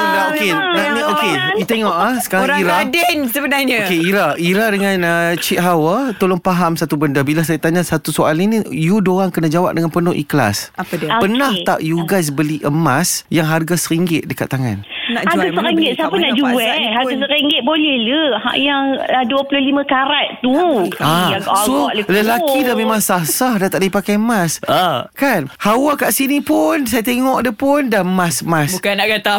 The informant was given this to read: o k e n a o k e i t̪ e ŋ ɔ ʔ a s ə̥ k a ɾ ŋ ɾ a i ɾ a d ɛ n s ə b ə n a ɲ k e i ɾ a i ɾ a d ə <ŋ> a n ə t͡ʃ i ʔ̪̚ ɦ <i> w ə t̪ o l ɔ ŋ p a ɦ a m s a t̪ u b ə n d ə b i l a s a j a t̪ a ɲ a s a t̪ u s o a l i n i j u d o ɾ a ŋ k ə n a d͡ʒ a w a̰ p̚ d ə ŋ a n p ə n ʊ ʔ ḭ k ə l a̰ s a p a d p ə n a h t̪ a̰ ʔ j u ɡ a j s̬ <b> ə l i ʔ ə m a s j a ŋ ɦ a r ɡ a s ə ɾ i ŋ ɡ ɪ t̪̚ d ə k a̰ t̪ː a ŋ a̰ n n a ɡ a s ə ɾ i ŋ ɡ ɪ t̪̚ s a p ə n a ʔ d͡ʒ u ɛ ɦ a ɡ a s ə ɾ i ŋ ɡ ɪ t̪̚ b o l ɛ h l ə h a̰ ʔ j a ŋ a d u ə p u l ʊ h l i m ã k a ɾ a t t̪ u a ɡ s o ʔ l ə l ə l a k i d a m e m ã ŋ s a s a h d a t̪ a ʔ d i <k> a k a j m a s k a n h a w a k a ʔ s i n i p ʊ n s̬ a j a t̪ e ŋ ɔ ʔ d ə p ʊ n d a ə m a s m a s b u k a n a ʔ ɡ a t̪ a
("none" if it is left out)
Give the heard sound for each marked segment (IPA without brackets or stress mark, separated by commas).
ŋ, a, b, p